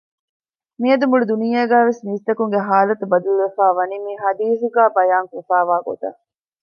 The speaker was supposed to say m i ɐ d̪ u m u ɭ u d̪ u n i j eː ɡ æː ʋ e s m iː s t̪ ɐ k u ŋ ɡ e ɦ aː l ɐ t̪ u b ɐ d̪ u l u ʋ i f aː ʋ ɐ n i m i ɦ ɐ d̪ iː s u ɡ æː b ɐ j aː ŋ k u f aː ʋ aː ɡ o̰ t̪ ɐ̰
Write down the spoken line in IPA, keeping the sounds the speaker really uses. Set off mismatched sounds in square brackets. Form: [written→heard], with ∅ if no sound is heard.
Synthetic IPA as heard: m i ɐ d̪ u m u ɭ u d̪ u n i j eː ɡ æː ʋ e s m iː s t̪ ɐ k u ŋ ɡ e ɦ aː l ɐ t̪ u b ɐ d̪ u l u ʋ [i→e] f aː ʋ ɐ n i m i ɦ ɐ d̪ iː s u ɡ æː b ɐ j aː ŋ k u f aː ʋ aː ɡ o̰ t̪ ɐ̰

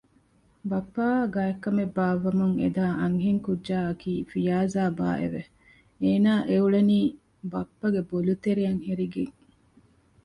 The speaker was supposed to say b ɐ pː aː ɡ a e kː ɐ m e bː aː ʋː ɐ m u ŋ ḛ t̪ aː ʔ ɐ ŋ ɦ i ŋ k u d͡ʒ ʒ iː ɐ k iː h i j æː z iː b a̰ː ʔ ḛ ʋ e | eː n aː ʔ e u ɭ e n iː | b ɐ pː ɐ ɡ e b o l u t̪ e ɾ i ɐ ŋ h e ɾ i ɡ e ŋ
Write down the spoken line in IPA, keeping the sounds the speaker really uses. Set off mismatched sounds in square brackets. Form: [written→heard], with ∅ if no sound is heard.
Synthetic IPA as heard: b ɐ pː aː ɡ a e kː ɐ m e bː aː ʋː ɐ m u ŋ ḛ [t̪→d̪] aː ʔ ɐ ŋ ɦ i ŋ k u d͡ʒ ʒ [iː→aː] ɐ k iː [h→f] i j [æː→aː] z [iː→aː] b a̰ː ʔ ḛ ʋ e | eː n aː ʔ e u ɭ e n iː | b ɐ pː ɐ ɡ e b o l u t̪ e ɾ i ɐ ŋ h e ɾ i ɡ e ŋ

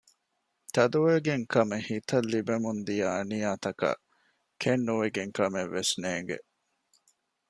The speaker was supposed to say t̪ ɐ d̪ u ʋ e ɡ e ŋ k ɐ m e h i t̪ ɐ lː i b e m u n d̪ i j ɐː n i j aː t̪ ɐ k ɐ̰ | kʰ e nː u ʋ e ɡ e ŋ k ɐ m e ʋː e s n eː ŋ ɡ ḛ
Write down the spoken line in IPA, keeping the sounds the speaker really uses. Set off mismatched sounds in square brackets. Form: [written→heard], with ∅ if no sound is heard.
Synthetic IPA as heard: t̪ ɐ d̪ u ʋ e ɡ e ŋ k ɐ m e h i t̪ ɐ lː i b e m u n d̪ i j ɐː n i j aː t̪ ɐ k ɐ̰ | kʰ e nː u ʋ e ɡ e ŋ k ɐ m e ʋː e s n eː ŋ ɡ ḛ

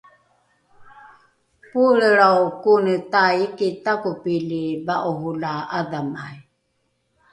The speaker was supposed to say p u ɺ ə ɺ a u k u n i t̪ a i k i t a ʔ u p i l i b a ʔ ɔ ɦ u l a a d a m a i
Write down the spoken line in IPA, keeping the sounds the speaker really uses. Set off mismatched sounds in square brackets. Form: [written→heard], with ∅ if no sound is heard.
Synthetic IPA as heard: p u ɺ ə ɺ a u k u n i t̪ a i k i t a [ʔ→k] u p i l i b a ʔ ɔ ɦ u l a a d a m a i

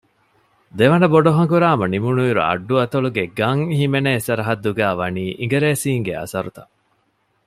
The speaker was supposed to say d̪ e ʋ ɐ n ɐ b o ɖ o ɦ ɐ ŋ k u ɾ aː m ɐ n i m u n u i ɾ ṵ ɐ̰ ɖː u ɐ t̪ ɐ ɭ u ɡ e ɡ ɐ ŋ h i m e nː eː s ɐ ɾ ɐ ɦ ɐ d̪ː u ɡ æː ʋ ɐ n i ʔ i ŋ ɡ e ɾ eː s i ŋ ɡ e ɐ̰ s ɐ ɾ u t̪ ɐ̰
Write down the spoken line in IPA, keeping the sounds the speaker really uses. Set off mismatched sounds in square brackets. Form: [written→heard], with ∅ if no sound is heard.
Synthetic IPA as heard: d̪ e ʋ ɐ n ɐ b o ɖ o ɦ ɐ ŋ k u ɾ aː m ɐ n i m u n u i ɾ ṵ ɐ̰ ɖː u ɐ t̪ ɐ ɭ u ɡ e ɡ ɐ ŋ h i m e [nː→n] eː s ɐ ɾ ɐ ɦ ɐ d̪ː u ɡ æː ʋ ɐ n [i→iː] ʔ i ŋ ɡ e ɾ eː s [i→iː] ŋ ɡ e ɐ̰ s ɐ ɾ u t̪ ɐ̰

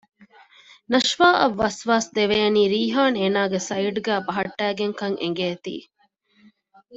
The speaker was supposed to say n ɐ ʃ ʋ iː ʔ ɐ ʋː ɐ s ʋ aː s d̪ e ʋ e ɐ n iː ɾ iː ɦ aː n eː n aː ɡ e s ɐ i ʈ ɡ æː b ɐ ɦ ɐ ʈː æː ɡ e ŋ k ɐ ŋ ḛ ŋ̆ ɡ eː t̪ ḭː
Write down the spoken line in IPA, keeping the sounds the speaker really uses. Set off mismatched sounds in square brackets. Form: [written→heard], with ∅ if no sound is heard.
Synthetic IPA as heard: n ɐ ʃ ʋ [iː→aː] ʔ ɐ ʋː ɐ s ʋ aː s d̪ e ʋ e ɐ n iː ɾ iː ɦ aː n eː n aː ɡ e s ɐ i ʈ ɡ æː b ɐ ɦ ɐ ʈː æː ɡ e ŋ k ɐ ŋ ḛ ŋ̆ ɡ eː t̪ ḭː

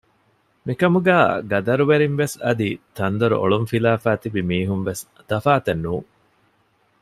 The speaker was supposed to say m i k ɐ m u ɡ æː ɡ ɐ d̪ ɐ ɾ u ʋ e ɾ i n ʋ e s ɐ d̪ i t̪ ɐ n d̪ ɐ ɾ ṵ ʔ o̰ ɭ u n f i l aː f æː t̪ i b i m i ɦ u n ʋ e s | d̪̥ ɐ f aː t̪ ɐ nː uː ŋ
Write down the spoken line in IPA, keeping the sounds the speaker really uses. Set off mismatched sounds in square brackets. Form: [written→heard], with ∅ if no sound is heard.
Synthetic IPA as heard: m i k ɐ m u ɡ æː ɡ ɐ d̪ ɐ ɾ u ʋ e ɾ i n ʋ e s ɐ d̪ i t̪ ɐ n d̪ ɐ ɾ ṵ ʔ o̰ ɭ u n f i l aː f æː t̪ i b i m [i→iː] ɦ u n ʋ e s | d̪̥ ɐ f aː t̪ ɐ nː uː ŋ

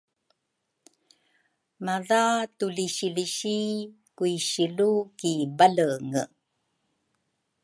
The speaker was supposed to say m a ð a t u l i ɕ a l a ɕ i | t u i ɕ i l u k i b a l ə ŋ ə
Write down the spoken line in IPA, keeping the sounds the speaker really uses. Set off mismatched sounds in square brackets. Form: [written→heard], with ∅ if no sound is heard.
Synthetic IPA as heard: m a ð a t u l i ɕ [a→i] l [a→i] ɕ i | [t→k] u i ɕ i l u k i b a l ə ŋ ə

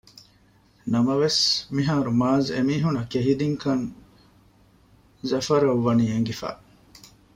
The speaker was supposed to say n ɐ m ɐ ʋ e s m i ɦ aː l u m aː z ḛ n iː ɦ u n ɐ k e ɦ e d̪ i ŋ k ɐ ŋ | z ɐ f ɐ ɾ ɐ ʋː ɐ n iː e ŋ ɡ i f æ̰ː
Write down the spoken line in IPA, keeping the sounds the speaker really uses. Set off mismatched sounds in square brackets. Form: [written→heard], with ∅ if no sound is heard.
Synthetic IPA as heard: n ɐ m ɐ ʋ e s m i ɦ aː [l→ɾ] u m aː z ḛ [n→m] iː ɦ u n ɐ k e ɦ [e→i] d̪ i ŋ k ɐ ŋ | z ɐ f ɐ ɾ ɐ ʋː ɐ n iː e ŋ ɡ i f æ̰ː

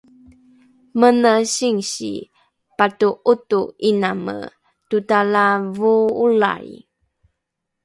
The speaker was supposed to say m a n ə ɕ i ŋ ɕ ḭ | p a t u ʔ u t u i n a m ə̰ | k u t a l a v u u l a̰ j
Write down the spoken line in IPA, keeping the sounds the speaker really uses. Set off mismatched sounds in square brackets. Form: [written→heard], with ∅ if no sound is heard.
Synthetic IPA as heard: m [a→ə] n ə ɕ i ŋ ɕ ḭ | p a t u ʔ u t u i n a m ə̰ | [k→t] u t a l a v u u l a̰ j

